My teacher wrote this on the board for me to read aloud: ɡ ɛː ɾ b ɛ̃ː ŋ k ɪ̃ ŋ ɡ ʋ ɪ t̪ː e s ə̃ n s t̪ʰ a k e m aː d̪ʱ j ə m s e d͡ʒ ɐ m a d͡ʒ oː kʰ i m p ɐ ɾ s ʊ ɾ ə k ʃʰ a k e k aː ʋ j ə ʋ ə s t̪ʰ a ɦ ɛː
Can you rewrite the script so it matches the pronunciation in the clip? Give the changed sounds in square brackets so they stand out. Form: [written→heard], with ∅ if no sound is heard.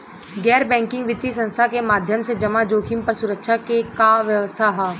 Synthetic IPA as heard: ɡ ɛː ɾ b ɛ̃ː ŋ k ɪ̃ ŋ ɡ ʋ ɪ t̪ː [e→i] s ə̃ n s t̪ʰ a k e m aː d̪ʱ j ə m s e d͡ʒ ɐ m a d͡ʒ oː kʰ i m p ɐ ɾ s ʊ ɾ ə k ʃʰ a k e k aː ʋ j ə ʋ ə s t̪ʰ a ɦ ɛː